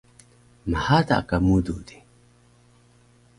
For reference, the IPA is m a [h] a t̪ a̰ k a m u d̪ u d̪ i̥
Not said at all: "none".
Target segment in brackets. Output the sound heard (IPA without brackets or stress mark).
h